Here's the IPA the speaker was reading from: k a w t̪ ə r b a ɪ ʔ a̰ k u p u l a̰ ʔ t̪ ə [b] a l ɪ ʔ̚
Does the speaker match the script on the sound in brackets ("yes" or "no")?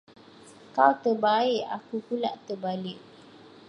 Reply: yes